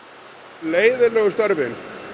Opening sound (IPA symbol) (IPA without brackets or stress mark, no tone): l